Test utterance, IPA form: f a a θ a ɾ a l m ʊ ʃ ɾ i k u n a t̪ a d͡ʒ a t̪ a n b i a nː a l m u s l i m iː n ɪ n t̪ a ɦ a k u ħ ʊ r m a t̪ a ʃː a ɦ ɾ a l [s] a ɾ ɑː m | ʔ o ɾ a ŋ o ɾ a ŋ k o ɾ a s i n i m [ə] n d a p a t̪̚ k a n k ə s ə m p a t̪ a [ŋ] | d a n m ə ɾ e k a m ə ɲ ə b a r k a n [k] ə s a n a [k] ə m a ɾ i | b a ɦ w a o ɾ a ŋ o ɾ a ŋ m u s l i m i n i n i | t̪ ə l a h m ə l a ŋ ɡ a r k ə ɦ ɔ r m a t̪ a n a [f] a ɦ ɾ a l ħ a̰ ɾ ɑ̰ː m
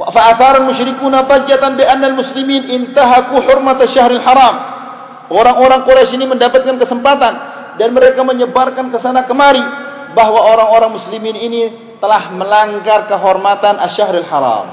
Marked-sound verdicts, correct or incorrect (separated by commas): incorrect, correct, incorrect, correct, correct, incorrect